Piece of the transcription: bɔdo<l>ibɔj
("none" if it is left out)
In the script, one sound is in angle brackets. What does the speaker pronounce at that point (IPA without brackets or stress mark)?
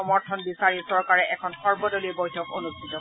l